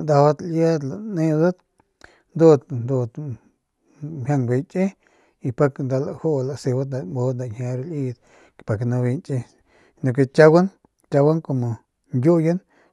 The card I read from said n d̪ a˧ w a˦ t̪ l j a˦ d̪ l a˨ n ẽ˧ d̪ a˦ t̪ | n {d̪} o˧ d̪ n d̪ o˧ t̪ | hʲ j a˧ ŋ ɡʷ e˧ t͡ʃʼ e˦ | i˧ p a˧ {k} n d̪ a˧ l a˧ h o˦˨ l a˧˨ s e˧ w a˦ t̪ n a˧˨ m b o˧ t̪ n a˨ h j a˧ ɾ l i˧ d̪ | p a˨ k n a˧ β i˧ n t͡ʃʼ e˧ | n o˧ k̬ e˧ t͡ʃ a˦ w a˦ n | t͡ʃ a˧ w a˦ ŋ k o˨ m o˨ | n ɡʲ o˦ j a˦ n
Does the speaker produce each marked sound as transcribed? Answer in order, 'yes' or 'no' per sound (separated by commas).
yes, yes